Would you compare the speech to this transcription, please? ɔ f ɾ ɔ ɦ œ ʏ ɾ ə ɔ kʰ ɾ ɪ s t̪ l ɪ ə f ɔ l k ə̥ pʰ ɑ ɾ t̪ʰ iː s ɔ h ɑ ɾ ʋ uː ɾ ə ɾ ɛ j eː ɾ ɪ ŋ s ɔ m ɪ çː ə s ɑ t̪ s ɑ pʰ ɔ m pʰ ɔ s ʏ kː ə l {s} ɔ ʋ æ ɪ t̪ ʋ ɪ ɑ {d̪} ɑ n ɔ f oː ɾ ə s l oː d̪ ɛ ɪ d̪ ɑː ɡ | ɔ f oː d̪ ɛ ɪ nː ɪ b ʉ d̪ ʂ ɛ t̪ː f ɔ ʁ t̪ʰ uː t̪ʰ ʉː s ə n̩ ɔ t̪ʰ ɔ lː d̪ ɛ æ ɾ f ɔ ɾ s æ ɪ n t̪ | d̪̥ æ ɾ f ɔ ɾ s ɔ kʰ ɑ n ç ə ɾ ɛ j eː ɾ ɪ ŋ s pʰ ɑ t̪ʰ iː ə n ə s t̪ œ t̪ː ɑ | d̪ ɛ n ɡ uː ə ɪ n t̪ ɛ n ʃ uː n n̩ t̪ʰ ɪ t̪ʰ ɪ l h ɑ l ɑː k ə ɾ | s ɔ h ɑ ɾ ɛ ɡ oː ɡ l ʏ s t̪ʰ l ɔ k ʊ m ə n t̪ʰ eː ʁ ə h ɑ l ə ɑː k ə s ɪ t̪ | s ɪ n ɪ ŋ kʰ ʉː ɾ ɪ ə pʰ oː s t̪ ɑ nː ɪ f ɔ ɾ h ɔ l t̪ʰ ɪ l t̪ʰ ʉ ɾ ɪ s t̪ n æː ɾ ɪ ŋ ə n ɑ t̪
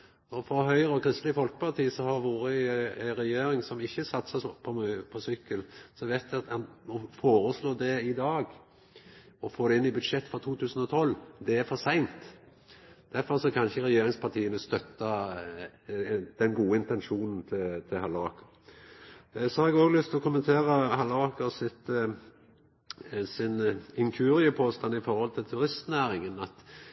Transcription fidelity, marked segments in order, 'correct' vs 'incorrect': correct, incorrect: t̪

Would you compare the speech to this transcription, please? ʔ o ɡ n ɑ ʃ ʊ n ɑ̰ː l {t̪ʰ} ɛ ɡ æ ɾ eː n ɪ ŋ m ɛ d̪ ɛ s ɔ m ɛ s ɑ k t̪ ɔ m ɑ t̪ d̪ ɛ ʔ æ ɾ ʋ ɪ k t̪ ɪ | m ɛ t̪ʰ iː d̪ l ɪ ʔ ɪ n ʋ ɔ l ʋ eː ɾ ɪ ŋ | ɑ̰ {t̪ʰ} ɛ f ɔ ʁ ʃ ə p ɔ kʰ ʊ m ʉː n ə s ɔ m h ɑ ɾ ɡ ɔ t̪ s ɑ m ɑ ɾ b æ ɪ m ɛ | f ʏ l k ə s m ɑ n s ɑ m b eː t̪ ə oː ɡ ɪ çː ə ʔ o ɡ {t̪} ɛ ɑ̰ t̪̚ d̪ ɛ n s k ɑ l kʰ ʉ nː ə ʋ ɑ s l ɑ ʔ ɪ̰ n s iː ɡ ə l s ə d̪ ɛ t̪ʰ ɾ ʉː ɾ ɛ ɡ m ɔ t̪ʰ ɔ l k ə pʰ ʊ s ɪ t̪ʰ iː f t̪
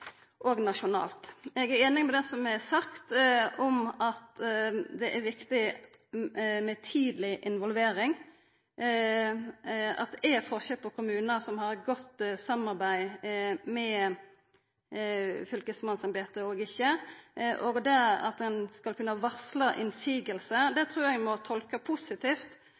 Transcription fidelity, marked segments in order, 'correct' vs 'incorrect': incorrect: t̪, incorrect: t̪, incorrect: d̪

